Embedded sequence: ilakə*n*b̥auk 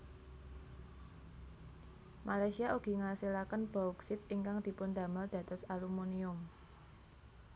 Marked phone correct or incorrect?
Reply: correct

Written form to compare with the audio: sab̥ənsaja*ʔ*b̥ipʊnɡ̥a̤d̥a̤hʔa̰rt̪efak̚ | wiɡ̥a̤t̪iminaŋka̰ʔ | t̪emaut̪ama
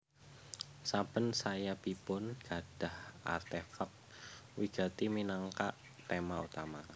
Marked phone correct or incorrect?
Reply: incorrect: none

